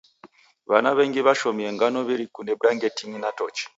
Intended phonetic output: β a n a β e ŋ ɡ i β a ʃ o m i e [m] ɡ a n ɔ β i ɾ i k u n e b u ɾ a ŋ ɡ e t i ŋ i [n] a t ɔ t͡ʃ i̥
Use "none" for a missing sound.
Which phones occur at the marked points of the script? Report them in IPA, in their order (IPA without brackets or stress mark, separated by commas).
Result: ŋ, n